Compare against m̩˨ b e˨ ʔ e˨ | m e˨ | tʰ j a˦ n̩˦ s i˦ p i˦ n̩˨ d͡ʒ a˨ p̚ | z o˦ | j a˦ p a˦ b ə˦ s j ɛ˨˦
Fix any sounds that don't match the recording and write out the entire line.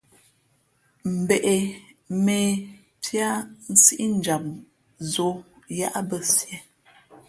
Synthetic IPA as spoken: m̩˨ b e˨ ʔ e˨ | m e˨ | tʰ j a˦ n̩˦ s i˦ ʔ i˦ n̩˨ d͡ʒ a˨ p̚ | z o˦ | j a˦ ʔ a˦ b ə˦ s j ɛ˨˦